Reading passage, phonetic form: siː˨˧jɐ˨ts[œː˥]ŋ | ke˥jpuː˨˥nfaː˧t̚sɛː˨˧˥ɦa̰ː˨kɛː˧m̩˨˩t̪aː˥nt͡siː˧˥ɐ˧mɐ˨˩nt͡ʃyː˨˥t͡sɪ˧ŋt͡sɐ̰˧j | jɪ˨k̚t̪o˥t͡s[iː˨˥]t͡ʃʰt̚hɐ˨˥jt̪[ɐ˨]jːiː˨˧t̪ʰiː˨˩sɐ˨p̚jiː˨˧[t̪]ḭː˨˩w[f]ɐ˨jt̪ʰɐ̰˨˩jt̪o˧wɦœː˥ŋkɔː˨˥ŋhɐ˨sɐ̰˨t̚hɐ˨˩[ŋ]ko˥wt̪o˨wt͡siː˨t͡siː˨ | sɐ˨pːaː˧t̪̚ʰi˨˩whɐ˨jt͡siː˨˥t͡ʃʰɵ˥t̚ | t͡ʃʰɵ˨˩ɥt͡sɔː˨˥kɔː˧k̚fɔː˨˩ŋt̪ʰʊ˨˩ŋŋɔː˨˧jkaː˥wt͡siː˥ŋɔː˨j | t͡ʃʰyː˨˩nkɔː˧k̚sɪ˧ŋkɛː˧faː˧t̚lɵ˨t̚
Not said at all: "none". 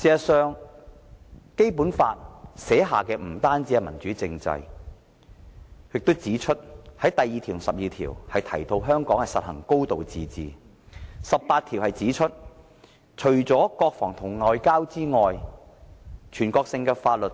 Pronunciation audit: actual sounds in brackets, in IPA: œː˨˧, iː˨˥, ɐ˨, t̪ʰ, h, ŋ

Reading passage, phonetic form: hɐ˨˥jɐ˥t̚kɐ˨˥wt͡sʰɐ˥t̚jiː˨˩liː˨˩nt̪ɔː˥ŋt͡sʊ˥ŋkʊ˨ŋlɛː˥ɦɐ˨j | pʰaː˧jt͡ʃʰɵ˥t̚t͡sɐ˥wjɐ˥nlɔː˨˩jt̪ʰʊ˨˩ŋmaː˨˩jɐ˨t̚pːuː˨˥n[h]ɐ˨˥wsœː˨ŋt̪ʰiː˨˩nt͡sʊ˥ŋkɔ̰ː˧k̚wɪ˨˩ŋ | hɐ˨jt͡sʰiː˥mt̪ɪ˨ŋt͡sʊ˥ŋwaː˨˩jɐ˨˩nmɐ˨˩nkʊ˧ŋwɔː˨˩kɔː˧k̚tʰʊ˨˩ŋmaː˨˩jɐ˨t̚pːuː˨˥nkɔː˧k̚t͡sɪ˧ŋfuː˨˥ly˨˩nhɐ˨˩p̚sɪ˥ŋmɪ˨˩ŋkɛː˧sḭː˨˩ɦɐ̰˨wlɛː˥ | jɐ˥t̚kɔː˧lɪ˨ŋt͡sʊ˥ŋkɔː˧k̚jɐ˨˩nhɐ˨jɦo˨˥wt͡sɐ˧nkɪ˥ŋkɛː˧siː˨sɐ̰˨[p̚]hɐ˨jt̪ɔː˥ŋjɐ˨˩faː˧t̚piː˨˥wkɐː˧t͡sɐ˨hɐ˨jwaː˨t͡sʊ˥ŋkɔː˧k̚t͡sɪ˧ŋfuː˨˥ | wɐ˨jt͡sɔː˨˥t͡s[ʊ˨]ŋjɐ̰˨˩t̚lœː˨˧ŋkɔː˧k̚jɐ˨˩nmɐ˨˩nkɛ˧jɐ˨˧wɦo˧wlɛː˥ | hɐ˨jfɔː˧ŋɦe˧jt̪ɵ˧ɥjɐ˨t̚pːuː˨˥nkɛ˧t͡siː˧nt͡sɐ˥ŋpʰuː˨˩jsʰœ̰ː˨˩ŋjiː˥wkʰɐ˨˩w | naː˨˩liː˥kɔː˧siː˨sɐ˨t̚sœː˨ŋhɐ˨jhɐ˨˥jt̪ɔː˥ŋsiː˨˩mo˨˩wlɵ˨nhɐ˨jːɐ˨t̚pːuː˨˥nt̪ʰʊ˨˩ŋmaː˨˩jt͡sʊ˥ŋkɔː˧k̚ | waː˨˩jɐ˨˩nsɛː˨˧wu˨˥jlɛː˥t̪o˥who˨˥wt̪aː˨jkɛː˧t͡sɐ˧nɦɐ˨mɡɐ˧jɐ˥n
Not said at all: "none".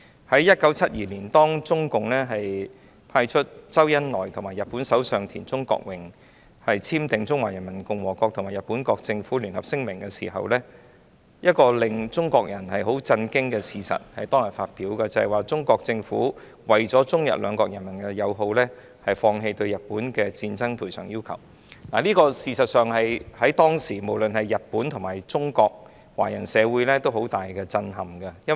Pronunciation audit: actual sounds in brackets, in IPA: s, t̚, ʊ˥

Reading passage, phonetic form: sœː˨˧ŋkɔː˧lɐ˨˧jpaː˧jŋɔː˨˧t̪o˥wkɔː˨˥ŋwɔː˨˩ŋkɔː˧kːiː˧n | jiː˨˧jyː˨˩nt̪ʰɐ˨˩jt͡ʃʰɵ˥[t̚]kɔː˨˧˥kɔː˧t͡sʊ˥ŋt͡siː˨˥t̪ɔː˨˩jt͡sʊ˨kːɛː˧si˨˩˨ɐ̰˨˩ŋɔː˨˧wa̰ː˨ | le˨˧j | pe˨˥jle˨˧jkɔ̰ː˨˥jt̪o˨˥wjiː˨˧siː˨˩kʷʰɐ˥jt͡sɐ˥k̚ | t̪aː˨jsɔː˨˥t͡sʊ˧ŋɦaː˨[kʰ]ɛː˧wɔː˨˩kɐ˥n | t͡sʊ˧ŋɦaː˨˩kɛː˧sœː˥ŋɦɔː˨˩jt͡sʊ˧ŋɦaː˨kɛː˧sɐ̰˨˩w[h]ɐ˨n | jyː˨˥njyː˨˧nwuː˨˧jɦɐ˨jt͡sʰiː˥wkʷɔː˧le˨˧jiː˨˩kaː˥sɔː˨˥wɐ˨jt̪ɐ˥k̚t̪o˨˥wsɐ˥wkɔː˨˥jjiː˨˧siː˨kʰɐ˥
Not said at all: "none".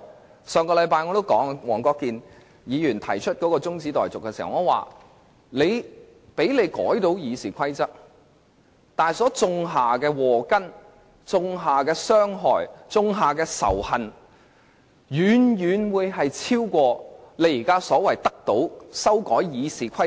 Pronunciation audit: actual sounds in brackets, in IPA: t̚, k, h

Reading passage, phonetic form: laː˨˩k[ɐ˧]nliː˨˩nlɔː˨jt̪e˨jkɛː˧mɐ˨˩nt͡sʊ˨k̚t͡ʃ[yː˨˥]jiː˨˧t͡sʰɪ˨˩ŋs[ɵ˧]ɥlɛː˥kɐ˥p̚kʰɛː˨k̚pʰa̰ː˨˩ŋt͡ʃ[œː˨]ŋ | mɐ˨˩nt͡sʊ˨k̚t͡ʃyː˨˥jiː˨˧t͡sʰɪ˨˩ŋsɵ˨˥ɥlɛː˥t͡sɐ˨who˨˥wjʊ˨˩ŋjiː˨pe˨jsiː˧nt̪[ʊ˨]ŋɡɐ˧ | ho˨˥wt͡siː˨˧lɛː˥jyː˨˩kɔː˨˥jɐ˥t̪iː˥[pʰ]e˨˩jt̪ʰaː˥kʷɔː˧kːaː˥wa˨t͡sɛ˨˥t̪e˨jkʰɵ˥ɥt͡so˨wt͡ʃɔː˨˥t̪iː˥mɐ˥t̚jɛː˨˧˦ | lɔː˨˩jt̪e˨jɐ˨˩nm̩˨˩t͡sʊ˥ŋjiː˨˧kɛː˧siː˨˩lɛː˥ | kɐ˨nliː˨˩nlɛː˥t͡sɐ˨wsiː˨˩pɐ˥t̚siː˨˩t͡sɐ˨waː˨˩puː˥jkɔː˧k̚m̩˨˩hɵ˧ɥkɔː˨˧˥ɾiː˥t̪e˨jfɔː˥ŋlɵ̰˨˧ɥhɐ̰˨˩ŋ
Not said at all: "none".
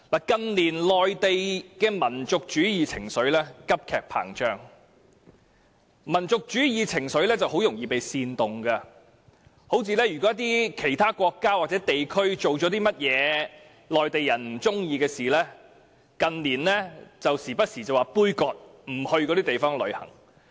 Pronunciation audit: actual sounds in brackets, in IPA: ɐ˧, yː˨˥, ɵ˨˥, œː˥, ʊ˨, kʰ

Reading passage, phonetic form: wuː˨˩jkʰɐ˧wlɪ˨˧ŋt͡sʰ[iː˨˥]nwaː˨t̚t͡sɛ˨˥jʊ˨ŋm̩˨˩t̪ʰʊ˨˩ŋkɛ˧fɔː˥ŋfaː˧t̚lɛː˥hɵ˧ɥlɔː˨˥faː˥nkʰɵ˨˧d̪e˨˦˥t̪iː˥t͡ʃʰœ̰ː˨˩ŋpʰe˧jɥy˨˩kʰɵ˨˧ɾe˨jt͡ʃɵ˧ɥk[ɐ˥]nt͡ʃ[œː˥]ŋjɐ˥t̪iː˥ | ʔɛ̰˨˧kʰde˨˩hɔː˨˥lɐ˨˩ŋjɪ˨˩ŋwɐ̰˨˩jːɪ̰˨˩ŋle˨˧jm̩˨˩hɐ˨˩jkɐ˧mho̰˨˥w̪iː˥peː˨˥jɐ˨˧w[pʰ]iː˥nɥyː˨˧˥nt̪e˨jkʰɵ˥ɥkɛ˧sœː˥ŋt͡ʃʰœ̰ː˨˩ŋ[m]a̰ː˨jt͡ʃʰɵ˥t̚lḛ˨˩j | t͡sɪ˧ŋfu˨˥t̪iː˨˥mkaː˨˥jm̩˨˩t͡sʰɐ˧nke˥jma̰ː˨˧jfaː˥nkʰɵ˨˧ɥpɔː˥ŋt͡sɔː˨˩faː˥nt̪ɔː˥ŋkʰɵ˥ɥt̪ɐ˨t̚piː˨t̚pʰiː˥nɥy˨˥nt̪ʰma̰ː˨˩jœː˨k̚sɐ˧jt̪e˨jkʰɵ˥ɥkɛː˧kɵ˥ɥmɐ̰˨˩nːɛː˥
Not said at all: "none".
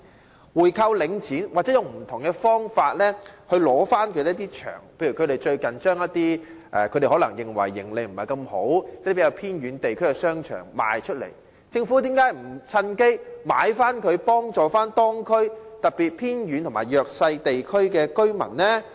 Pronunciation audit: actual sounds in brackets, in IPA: iː˨˥, ɐ˨, œː˥, pʰ, m

